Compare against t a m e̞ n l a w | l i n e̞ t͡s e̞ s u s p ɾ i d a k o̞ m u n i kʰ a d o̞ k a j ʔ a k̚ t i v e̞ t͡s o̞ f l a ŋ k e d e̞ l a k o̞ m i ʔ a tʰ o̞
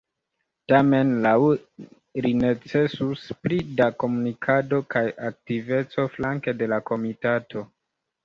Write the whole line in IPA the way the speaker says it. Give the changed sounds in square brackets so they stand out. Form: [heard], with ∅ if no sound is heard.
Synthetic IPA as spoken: t a m e̞ n l a w | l i n e̞ t͡s e̞ s u s p ɾ i d a k o̞ m u n i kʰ a d o̞ k a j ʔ a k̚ t i v e̞ t͡s o̞ f l a ŋ k e d e̞ l a k o̞ m i [t] a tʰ o̞